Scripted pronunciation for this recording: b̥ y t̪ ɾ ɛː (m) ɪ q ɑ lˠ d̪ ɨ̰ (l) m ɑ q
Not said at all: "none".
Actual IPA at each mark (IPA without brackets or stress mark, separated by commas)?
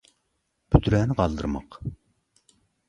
n, ɾ